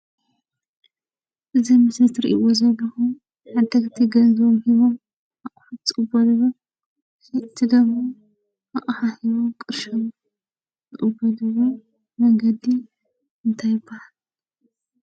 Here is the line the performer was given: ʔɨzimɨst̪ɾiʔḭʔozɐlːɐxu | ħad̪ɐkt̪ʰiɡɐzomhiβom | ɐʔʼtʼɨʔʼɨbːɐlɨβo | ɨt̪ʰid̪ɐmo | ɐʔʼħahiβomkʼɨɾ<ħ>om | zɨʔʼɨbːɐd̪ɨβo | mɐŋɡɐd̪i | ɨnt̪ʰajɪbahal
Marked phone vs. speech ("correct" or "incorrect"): incorrect